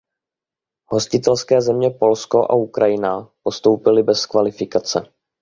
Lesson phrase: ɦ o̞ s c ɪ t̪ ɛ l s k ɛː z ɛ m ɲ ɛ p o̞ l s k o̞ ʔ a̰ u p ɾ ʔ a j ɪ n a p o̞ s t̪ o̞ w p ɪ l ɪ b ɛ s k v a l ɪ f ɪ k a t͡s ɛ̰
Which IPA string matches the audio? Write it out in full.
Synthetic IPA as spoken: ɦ o̞ s c ɪ t̪ ɛ l s k ɛː z ɛ m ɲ ɛ p o̞ l s k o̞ ʔ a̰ u k ɾ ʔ a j ɪ n a p o̞ s t̪ o̞ w p ɪ l ɪ b ɛ s k v a l ɪ f ɪ k a t͡s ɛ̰